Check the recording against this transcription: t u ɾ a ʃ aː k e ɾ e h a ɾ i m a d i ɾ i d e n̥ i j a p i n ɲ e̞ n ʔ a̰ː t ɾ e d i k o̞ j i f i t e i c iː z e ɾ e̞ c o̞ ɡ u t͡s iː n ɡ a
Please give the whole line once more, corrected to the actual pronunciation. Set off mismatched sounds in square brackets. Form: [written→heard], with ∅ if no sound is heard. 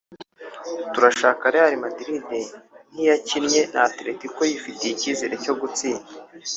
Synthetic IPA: t u ɾ a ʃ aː k [e→a] ɾ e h a ɾ i m a d i ɾ i d e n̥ i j a [p→c] i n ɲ e̞ n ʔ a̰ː t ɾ e [d→t] i k o̞ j i f i t e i c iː z e ɾ e̞ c o̞ ɡ u t͡s iː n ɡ a